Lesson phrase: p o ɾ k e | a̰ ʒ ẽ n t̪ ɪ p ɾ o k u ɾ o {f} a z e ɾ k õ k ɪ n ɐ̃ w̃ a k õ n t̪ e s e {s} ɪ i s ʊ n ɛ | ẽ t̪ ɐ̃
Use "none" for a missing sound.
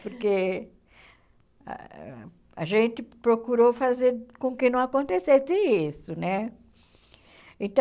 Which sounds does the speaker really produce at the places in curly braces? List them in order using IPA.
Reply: f, s

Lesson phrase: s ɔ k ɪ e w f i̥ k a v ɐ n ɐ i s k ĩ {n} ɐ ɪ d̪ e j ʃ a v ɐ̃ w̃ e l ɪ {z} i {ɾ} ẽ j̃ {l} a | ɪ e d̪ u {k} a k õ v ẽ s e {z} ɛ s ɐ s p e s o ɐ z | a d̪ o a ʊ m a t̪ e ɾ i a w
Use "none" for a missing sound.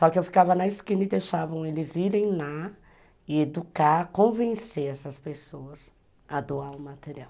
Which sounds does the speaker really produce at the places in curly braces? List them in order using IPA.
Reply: n, z, ɾ, l, k, none

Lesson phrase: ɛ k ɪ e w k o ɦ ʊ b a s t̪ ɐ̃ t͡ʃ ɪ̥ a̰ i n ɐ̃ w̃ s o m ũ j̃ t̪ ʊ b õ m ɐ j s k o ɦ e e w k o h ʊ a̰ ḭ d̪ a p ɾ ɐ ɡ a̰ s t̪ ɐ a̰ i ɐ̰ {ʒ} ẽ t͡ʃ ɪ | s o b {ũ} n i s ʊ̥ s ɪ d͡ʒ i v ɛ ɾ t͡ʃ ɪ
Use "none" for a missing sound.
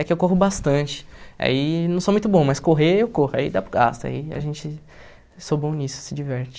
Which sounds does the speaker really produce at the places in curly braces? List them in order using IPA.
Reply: ʒ, õ

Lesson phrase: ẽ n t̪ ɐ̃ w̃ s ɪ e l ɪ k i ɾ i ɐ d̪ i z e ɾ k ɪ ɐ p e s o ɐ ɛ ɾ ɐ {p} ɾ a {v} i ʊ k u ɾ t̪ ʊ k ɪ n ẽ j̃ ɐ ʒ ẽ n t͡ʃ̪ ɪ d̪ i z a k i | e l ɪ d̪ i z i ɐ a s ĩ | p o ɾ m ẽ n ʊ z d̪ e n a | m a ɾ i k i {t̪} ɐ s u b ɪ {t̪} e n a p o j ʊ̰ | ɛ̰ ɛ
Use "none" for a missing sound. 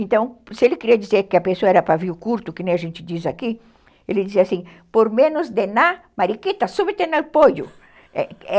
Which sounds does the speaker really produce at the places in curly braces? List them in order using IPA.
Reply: p, v, t̪, t̪

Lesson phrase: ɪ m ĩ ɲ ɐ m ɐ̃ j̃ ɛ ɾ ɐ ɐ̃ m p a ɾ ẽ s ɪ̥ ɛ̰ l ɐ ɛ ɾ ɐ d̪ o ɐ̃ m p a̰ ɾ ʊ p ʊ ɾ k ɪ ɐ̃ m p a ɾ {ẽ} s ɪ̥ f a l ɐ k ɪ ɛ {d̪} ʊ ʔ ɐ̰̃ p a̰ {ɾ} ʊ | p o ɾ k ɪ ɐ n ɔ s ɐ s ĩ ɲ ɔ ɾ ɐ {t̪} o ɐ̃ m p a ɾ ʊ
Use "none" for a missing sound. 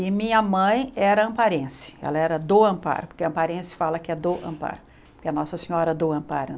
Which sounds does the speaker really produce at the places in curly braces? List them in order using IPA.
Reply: ẽ, d̪, ɾ, d̪

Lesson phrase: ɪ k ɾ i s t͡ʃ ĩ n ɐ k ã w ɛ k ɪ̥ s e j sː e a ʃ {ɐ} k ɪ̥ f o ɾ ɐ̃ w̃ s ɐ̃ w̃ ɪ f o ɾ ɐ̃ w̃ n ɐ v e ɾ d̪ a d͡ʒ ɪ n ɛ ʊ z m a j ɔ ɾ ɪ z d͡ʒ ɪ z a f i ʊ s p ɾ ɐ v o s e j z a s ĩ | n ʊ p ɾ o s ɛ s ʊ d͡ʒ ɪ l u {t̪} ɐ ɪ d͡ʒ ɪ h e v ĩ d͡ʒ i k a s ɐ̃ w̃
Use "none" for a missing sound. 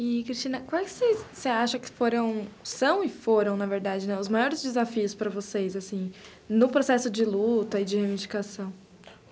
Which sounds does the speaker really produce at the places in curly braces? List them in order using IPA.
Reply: ɐ, t̪

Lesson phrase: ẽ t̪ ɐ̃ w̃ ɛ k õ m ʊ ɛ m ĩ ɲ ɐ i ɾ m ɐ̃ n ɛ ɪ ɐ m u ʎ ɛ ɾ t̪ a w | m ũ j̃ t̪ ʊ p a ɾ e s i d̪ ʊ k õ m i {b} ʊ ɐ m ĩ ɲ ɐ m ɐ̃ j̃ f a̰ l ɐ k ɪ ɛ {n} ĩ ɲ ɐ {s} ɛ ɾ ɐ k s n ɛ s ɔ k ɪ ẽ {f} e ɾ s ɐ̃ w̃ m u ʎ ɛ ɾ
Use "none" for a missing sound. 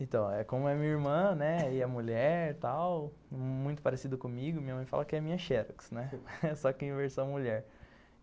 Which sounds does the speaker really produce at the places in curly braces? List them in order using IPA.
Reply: ɡ, m, ʃ, v

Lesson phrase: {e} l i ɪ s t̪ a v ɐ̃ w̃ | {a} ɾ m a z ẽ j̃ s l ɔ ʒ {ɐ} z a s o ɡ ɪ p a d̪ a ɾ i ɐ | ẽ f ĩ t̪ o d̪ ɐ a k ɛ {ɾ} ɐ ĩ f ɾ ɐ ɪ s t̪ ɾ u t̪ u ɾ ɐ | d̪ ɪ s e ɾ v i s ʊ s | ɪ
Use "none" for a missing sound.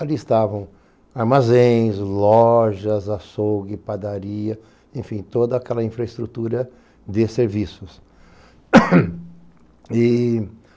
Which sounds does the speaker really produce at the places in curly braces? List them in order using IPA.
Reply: a, a, ɐ, l

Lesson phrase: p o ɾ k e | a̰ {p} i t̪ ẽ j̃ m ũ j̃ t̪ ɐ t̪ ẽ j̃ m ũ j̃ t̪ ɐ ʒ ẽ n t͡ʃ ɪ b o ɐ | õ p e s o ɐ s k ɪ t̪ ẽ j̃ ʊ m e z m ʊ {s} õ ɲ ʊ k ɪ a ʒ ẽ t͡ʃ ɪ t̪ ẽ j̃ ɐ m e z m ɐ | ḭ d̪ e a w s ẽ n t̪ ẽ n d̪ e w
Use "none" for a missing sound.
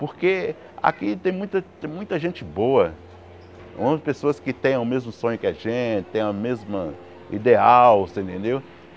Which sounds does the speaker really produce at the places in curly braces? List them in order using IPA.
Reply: k, s

